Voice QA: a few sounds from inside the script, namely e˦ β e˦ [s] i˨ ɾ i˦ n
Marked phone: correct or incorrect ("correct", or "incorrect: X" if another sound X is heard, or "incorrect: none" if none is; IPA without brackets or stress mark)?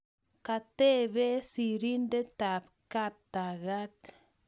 correct